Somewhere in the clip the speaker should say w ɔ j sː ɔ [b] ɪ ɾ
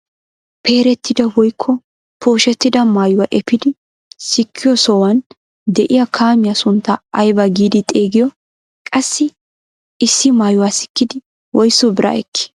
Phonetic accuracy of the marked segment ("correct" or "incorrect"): correct